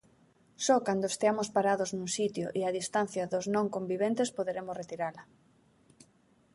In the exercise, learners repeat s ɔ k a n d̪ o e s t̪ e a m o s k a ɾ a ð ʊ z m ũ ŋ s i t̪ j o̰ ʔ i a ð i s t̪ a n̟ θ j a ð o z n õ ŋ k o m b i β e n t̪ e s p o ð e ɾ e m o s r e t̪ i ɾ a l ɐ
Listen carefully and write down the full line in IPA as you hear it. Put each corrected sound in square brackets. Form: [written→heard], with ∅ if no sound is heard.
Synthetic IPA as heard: s ɔ k a n d̪ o e s t̪ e a m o s [k→p] a ɾ a ð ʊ z [m→n] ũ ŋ s i t̪ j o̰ ʔ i a ð i s t̪ a n̟ θ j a ð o z n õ ŋ k o m b i β e n t̪ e s p o ð e ɾ e m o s r e t̪ i ɾ a l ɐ

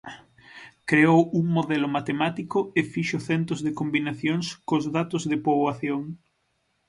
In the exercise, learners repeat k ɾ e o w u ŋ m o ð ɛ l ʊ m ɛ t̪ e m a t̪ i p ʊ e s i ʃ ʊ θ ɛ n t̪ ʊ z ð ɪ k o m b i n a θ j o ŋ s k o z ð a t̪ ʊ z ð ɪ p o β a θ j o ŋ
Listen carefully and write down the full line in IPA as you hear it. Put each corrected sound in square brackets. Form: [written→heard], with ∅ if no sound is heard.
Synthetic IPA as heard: k ɾ e o w u ŋ m o ð ɛ l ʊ m [ɛ→a] t̪ e m a t̪ i [p→k] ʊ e [s→f] i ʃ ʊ θ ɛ n t̪ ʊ z ð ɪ k o m b i n a θ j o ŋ s k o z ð a t̪ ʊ z ð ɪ p o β a θ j o ŋ

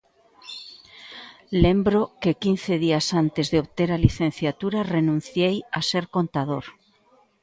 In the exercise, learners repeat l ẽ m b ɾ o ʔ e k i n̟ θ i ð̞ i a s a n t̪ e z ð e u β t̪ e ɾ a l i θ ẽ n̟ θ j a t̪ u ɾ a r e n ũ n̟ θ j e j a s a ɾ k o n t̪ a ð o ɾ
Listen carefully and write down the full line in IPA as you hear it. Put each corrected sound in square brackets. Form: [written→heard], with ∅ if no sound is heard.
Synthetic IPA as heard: l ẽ m b ɾ o [ʔ→k] e k i n̟ θ [i→e] ð̞ i a s a n t̪ e z ð e [u→o] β t̪ e ɾ a l i θ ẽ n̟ θ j a t̪ u ɾ a r e n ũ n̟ θ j e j a s [a→e] ɾ k o n t̪ a ð o ɾ

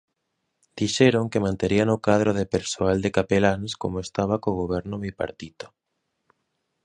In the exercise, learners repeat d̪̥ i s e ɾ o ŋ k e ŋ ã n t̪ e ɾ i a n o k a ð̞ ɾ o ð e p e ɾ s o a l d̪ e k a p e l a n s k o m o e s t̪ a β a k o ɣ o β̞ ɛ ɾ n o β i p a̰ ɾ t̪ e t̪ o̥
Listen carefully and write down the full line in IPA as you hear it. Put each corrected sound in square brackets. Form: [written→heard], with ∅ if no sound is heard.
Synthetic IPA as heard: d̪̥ i [s→ʃ] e ɾ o ŋ k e [ŋ→m] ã n t̪ e ɾ i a n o k a ð̞ ɾ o ð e p e ɾ s o a l d̪ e k a p e l a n s k o m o e s t̪ a β a k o ɣ o β̞ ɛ ɾ n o β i p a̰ ɾ t̪ [e→i] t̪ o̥

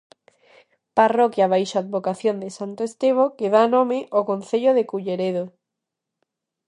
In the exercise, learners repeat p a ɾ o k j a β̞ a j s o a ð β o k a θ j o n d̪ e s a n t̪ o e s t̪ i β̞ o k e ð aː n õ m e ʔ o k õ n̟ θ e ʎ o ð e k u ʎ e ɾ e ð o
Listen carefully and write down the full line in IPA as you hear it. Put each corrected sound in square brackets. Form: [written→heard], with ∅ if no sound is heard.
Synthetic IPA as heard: p a [ɾ→r] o k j a β̞ a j [s→ʃ] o a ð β o k a θ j o n d̪ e s a n t̪ o e s t̪ [i→e] β̞ o k e ð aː n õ m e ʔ o k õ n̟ θ e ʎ o ð e k u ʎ e ɾ e ð o

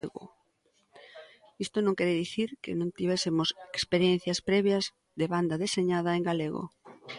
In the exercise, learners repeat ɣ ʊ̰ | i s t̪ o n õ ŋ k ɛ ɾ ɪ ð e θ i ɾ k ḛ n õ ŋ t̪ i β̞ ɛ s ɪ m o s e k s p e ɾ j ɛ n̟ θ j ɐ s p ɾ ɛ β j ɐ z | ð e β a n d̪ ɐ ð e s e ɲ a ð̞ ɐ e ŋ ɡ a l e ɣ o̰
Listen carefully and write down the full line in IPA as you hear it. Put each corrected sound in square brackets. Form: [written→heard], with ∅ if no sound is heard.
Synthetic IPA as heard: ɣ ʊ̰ | i s t̪ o n õ ŋ k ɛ ɾ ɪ ð [e→i] θ i ɾ k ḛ n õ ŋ t̪ i β̞ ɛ s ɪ m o s e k s p e ɾ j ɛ n̟ θ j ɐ s p ɾ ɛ β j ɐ z | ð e β a n d̪ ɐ ð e s e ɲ a ð̞ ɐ e ŋ ɡ a l e ɣ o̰

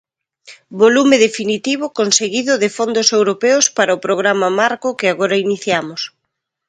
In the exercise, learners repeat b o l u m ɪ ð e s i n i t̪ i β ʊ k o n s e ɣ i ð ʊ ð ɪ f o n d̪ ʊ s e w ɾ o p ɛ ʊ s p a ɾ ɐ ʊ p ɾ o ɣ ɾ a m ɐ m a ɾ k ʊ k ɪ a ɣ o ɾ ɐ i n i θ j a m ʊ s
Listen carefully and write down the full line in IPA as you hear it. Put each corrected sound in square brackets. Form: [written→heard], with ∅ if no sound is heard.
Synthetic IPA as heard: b o l u m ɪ ð e [s→f] i n i t̪ i β ʊ k o n s e ɣ i ð ʊ ð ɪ f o n d̪ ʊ s e w ɾ o p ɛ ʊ s p a ɾ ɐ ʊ p ɾ o ɣ ɾ a m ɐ m a ɾ k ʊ k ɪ a ɣ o ɾ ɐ i n i θ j a m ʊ s

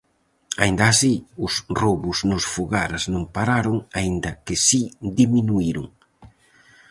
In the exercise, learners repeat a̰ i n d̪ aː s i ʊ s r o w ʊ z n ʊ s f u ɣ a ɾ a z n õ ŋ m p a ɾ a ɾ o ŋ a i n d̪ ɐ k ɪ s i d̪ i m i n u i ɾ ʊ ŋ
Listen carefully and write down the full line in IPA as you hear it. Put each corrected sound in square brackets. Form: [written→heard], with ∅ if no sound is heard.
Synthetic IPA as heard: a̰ i n d̪ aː s i ʊ s r o [w→β] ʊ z n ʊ s f u ɣ a ɾ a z n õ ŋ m p a ɾ a ɾ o ŋ a i n d̪ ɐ k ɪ s i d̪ i m i n u i ɾ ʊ ŋ

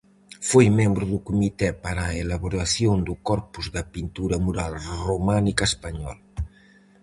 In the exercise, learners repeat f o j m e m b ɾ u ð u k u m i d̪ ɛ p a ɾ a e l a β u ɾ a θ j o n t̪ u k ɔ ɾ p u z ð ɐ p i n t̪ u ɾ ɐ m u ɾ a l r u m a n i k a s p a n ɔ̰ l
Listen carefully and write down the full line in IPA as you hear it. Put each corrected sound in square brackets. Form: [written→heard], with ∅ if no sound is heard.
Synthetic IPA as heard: f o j m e m b ɾ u ð u k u m i [d̪→t̪] ɛ p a ɾ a e l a β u ɾ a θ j o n [t̪→d̪] u k ɔ ɾ p u z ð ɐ p i n t̪ u ɾ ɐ m u ɾ a l r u m a n i k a s p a [n→ɲ] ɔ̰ l

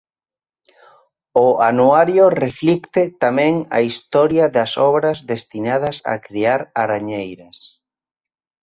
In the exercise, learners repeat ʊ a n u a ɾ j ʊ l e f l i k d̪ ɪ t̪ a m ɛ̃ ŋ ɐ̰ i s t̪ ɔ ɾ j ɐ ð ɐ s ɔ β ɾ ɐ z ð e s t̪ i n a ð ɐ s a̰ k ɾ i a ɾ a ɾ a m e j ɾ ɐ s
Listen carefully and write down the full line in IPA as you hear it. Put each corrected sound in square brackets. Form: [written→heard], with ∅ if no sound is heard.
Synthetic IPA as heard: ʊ a n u a ɾ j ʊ [l→r] e f l i k [d̪→t̪] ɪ t̪ a m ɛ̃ ŋ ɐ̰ i s t̪ ɔ ɾ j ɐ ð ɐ s ɔ β ɾ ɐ z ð e s t̪ i n a ð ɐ s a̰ k ɾ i a ɾ a ɾ a [m→ɲ] e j ɾ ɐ s

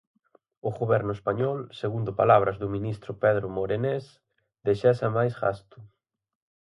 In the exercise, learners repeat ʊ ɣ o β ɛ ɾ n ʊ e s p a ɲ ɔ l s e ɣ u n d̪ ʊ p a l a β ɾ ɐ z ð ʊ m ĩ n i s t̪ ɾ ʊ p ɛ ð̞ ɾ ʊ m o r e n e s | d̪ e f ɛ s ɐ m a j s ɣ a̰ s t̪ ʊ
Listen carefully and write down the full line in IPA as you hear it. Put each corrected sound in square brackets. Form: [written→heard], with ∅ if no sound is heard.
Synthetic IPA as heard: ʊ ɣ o β ɛ ɾ n ʊ e s p a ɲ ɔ l s e ɣ u n d̪ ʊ p a l a β ɾ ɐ z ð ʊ m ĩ n i s t̪ ɾ ʊ p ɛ ð̞ ɾ ʊ m o [r→ɾ] e n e s | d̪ e [f→ʃ] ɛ s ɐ m a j s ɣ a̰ s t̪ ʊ

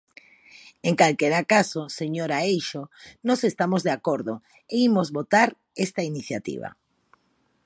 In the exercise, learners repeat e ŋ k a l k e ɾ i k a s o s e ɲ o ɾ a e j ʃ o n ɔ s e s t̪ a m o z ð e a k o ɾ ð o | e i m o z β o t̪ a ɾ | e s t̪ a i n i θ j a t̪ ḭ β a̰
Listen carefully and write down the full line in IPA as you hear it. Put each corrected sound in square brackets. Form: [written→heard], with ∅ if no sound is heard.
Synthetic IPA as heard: e ŋ k a l k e ɾ [i→a] k a s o s e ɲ o ɾ a e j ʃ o n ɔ s e s t̪ a m o z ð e a k o ɾ ð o | e i m o z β o t̪ a ɾ | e s t̪ a i n i θ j a t̪ ḭ β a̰

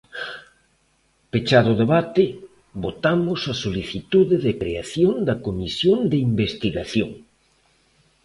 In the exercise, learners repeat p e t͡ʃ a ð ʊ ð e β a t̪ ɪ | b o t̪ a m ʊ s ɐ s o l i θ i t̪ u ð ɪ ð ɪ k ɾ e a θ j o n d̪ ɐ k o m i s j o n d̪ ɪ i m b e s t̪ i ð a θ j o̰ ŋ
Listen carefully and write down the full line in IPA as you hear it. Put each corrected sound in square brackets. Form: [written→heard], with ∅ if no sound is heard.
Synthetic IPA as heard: p e t͡ʃ a ð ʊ ð e β a t̪ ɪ | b o t̪ a m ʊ s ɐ s o l i θ i t̪ u ð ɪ ð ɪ k ɾ e a θ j o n d̪ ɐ k o m i s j o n d̪ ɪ i m b e s t̪ i [ð→ɣ] a θ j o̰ ŋ

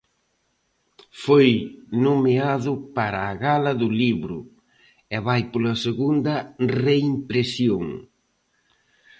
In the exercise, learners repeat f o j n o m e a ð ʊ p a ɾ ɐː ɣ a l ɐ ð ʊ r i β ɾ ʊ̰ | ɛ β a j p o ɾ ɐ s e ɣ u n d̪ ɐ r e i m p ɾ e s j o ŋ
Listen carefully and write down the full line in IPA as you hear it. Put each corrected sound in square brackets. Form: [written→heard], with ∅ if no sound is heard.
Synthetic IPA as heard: f o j n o m e a ð ʊ p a ɾ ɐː ɣ a l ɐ ð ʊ [r→l] i β ɾ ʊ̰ | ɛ β a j p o [ɾ→l] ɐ s e ɣ u n d̪ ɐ r e i m p ɾ e s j o ŋ

